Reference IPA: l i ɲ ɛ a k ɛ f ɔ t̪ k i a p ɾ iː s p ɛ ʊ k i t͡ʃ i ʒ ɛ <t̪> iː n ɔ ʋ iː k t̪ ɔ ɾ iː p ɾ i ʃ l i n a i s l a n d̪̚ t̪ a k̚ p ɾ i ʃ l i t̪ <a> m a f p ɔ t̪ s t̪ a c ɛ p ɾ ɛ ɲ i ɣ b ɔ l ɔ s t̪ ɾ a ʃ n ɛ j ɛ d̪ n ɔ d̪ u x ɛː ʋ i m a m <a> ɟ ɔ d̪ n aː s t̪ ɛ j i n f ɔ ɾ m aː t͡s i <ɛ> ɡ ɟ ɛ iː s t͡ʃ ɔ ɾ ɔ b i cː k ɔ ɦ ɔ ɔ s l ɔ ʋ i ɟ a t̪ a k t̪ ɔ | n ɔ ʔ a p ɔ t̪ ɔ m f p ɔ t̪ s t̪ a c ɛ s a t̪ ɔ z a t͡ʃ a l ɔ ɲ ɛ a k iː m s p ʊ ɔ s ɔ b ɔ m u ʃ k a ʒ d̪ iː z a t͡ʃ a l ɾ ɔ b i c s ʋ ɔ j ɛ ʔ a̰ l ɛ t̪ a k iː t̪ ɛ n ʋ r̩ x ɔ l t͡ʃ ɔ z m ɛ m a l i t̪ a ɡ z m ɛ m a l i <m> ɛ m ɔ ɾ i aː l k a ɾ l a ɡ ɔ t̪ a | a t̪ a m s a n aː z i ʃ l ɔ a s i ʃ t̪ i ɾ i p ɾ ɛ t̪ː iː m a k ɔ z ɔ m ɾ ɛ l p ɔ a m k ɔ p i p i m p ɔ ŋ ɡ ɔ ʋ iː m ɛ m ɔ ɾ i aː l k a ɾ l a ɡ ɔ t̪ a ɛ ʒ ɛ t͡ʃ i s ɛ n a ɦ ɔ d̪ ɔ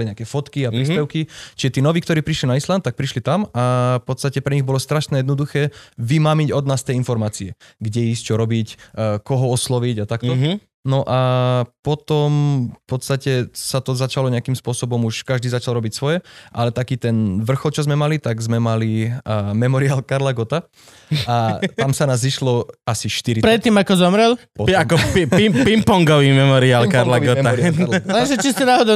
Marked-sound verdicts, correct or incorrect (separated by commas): correct, correct, incorrect, correct, correct